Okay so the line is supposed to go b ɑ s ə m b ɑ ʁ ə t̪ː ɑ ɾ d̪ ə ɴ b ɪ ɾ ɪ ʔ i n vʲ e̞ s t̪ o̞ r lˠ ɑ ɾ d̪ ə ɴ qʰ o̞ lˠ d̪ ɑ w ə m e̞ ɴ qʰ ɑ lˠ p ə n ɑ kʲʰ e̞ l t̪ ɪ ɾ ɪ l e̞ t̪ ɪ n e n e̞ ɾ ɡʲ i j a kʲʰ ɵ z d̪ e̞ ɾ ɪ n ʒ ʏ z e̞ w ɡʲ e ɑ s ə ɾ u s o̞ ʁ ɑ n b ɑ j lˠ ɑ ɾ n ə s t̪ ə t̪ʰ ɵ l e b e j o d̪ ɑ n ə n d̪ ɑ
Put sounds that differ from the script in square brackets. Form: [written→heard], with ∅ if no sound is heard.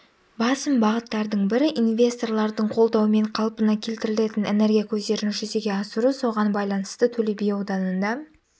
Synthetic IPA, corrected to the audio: b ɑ s ə m b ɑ ʁ ə t̪ː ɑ ɾ d̪ ə ɴ b ɪ ɾ ɪ ʔ i n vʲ e̞ s t̪ o̞ r lˠ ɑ ɾ d̪ ə ɴ qʰ o̞ lˠ d̪ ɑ w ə m e̞ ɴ qʰ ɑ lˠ p ə n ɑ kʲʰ e̞ l t̪ ɪ ɾ ɪ l e̞ t̪ ɪ n e n e̞ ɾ ɡʲ i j a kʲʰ ɵ z d̪ e̞ ɾ ɪ n ʒ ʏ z e̞ [w→∅] ɡʲ e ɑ s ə ɾ u s o̞ ʁ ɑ n b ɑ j lˠ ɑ [ɾ→∅] n ə s t̪ ə t̪ʰ ɵ l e b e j o d̪ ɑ n ə n d̪ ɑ